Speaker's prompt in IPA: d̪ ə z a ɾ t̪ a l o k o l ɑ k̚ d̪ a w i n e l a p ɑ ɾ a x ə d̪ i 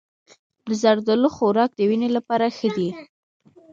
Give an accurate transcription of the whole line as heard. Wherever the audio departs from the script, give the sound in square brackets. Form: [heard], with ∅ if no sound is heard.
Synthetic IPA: d̪ ə z a ɾ [d̪] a l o [x] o [ɾ] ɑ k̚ d̪ [ə] w i n e l a p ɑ ɾ a x ə d̪ i

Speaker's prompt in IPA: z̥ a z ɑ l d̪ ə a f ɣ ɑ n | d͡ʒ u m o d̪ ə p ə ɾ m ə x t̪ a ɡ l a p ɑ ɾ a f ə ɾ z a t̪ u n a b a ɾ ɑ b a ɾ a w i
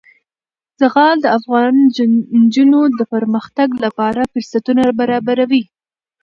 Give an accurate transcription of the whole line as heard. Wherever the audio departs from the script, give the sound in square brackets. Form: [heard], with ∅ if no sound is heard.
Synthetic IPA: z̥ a [ɣ] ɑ l d̪ ə a f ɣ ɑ n | d͡ʒ u [n] o d̪ ə p ə ɾ m ə x t̪ a ɡ l a p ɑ ɾ a f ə ɾ [s] a t̪ u n a b a ɾ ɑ b a ɾ a w i

